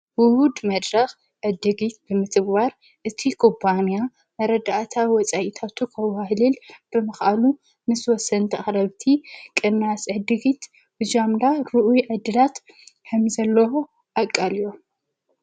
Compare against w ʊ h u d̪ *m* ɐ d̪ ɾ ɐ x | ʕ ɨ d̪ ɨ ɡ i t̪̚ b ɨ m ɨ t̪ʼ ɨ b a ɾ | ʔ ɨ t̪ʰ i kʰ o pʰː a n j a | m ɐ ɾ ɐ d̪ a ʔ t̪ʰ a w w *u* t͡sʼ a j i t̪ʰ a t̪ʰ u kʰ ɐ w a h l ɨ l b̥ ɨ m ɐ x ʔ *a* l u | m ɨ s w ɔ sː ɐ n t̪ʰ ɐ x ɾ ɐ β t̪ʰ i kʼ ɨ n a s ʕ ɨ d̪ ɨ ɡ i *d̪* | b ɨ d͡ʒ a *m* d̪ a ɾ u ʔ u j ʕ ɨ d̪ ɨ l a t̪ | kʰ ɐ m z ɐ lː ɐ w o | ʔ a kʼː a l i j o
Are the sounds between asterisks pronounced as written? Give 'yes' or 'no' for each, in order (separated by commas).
yes, no, yes, no, yes